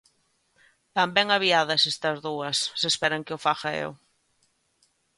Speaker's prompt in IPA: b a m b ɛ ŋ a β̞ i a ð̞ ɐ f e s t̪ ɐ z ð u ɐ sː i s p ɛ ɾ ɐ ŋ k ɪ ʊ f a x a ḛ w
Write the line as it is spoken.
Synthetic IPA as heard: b a m b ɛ ŋ a β̞ i a ð̞ ɐ s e s t̪ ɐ z ð u ɐ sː e s p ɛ ɾ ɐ ŋ k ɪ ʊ f a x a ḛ w